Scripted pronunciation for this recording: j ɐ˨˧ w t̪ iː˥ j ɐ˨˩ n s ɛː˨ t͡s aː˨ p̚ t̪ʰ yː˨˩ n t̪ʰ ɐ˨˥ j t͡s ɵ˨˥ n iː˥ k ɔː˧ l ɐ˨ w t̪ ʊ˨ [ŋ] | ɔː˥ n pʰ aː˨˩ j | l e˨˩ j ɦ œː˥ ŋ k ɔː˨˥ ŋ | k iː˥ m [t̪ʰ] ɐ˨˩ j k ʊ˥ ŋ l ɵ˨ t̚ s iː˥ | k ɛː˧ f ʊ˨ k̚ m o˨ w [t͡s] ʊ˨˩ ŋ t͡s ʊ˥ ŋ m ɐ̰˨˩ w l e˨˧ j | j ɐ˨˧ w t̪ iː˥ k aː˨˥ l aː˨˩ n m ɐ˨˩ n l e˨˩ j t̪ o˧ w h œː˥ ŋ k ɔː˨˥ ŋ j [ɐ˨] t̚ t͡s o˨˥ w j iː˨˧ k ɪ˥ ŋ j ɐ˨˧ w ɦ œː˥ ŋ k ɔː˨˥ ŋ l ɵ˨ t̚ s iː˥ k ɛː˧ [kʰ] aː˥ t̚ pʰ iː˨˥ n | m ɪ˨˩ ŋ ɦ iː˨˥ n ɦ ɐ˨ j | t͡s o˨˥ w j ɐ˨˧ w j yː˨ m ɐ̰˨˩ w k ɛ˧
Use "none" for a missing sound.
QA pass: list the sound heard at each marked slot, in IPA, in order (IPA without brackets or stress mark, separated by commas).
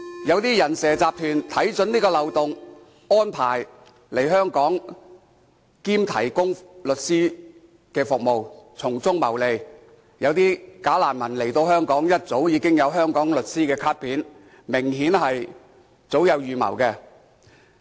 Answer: ŋ, t̪ʰ, t͡sʰ, ɐ˥, kʰ